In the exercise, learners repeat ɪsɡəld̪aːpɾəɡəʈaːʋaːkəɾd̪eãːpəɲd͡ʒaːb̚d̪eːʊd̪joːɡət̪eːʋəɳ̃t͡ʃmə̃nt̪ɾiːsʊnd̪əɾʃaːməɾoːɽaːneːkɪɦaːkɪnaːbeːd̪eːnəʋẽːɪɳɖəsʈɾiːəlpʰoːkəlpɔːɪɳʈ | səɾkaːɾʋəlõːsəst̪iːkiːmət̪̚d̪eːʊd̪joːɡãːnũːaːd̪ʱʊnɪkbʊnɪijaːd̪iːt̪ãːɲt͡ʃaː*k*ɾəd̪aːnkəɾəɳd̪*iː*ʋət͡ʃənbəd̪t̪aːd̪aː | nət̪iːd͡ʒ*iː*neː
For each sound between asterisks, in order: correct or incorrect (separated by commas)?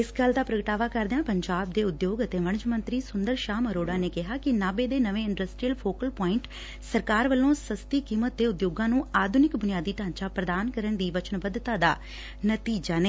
incorrect, correct, incorrect